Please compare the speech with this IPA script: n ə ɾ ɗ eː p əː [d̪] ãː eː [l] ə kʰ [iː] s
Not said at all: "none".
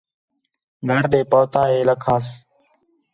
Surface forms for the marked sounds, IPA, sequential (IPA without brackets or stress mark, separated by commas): t̪, l, aː